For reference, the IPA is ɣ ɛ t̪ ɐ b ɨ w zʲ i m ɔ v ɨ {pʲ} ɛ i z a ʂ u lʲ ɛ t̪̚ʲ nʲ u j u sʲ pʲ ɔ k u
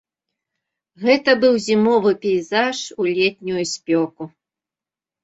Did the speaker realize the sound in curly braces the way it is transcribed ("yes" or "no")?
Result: yes